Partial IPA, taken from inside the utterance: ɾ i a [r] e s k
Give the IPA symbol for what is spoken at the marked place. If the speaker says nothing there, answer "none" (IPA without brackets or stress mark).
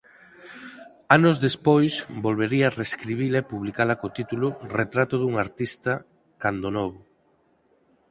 r